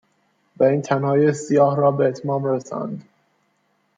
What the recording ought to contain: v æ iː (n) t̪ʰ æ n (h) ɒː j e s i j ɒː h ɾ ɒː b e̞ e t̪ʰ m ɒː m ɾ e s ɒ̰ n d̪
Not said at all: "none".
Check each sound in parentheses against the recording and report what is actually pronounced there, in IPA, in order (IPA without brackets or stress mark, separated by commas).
n, h